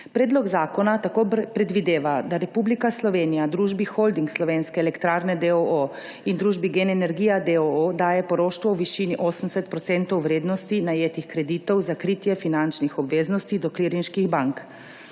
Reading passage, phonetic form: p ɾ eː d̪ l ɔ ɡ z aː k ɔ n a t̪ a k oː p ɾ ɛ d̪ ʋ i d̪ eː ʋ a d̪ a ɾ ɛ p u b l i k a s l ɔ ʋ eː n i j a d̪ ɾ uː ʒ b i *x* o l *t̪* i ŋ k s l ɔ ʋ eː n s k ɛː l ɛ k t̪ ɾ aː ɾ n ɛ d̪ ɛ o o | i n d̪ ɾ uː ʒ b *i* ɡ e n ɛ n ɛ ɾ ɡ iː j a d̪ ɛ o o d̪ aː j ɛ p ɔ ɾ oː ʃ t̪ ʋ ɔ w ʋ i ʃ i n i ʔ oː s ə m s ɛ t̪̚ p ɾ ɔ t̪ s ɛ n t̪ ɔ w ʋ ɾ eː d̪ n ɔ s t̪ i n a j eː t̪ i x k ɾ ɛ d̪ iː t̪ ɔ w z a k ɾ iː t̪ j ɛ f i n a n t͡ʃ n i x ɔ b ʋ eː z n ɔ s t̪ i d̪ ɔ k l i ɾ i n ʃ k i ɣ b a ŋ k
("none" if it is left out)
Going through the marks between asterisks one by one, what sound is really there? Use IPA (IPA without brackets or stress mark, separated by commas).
x, d̪, i